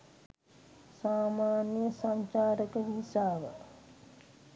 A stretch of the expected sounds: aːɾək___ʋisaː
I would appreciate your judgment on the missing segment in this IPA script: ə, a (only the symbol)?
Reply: ə